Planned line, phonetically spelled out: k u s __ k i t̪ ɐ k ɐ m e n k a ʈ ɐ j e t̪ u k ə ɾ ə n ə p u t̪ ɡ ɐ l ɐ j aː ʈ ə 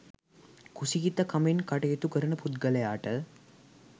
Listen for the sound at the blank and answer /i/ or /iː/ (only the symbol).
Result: i